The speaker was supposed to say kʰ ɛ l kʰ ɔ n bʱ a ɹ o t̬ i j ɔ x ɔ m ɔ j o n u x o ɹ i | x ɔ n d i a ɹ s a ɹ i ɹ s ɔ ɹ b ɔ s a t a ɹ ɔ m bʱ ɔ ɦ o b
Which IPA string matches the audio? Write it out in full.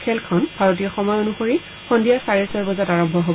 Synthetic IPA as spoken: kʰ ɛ l kʰ ɔ n bʱ a ɹ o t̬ i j ɔ x ɔ m ɔ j o n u x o ɹ i | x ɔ n d i a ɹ s a ɹ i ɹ s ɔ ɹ b ɔ z a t a ɹ ɔ m bʱ ɔ ɦ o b